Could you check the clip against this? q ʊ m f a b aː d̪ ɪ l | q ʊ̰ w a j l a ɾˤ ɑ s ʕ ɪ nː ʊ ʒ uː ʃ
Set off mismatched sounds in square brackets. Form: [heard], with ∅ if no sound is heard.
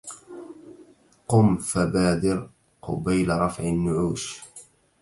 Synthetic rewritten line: q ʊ m f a b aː d̪ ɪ [ɾ] | q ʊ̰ [b] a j l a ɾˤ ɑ [f] ʕ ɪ nː ʊ [ʕ] uː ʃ